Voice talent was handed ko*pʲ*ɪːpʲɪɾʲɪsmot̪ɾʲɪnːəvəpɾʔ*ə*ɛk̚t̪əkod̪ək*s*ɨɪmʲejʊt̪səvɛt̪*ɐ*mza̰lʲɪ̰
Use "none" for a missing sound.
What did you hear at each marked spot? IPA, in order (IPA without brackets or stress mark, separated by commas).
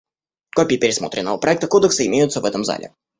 pʲ, ɐ, s, ə